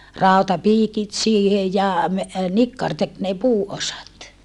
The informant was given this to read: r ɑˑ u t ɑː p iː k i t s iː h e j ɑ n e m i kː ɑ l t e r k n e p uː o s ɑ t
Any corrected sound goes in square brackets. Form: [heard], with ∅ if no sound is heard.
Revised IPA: r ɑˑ u t [ɑ] p iː k i t s iː h e j ɑ [m] e [n] i kː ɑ [r] t e [∅] k n e p uː o s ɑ t